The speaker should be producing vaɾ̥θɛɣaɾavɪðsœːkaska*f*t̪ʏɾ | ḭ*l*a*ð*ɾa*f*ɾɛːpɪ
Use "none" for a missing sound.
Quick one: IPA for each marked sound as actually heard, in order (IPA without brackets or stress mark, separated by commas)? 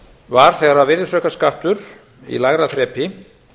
h, l, ɣ, θ